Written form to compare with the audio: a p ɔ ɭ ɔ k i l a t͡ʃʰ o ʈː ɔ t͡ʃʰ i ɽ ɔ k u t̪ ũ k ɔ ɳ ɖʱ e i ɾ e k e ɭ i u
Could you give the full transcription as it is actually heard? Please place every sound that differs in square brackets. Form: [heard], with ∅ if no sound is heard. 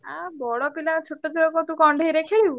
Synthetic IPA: a [b] ɔ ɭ ɔ [p] i l a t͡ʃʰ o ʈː ɔ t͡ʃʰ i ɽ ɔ k [ɔ] t̪ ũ k ɔ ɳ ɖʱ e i ɾ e [kʰ] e ɭ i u